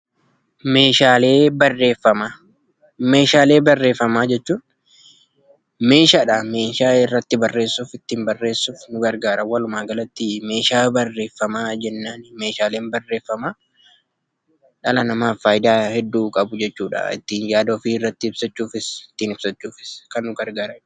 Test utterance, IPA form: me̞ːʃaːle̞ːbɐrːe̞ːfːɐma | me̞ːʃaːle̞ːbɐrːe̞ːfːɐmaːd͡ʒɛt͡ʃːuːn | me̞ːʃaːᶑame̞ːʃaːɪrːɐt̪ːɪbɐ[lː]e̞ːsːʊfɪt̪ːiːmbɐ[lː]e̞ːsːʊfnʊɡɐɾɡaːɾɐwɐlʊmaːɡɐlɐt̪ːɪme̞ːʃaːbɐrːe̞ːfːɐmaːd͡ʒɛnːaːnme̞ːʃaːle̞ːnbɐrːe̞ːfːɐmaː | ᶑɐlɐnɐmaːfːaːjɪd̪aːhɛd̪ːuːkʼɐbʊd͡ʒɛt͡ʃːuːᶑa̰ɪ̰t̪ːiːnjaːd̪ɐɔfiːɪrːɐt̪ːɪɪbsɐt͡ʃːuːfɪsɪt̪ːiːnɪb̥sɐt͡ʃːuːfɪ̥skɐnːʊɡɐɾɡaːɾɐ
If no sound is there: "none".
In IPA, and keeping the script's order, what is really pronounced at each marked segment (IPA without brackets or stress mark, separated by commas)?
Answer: rː, rː